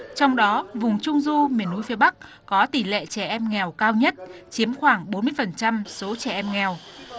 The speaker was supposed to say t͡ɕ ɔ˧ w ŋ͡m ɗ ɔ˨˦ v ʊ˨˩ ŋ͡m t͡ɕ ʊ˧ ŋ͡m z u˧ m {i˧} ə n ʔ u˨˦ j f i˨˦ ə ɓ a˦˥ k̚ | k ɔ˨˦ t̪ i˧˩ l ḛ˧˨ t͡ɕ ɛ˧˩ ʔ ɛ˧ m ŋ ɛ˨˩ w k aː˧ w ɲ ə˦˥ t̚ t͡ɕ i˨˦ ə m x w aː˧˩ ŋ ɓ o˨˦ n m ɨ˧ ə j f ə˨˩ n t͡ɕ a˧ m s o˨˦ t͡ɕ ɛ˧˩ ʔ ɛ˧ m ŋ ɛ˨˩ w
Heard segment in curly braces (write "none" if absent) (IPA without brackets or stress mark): i˨˩